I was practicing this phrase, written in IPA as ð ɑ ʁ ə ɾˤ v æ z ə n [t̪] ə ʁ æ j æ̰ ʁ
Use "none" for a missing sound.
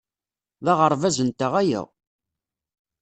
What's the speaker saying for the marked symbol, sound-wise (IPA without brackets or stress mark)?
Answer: t̪